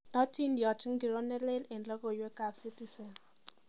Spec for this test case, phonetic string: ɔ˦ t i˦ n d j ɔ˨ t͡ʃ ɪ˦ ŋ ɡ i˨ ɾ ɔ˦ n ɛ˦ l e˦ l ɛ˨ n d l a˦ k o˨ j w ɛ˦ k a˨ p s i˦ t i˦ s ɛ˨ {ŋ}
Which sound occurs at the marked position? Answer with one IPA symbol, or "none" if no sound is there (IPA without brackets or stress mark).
n